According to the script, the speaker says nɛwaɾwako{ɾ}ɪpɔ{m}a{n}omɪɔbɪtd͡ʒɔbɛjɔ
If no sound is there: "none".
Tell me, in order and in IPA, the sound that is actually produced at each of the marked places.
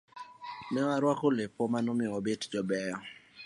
l, m, n

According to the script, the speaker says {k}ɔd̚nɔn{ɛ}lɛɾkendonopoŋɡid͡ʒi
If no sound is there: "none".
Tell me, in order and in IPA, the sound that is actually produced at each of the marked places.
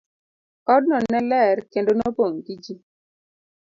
k, ɛ

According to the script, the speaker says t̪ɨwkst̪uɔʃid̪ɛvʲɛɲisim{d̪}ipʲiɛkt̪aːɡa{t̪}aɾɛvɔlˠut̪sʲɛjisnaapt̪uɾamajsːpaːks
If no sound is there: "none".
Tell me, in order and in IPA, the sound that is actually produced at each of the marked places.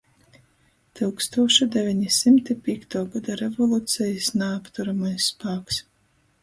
t̪, d̪

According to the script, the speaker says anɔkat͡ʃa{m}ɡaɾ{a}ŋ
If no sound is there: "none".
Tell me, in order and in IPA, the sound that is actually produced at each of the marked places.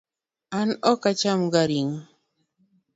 m, i

